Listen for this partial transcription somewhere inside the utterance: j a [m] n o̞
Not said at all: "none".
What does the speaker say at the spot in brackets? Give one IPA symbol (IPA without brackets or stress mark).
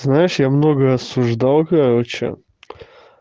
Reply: m